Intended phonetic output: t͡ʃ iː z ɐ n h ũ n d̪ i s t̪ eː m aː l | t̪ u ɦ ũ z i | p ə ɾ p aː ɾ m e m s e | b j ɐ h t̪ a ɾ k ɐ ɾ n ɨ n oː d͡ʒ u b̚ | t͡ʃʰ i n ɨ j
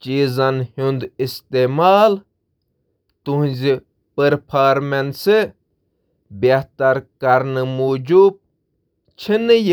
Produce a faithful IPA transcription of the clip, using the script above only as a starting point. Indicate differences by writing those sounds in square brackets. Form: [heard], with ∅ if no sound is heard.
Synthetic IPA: t͡ʃ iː z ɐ n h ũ n d̪ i s t̪ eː m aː l | t̪ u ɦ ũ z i | p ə ɾ [pʰ] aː ɾ m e [n] s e | b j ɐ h t̪ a ɾ k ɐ ɾ n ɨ [m] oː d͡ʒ u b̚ | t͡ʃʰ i n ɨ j